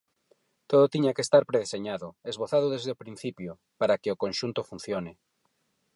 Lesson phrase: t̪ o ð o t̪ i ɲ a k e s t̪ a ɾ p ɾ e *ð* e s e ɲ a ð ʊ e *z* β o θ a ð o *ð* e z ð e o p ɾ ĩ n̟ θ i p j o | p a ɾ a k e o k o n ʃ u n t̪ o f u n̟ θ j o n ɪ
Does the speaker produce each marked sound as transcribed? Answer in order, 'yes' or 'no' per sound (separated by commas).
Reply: yes, yes, yes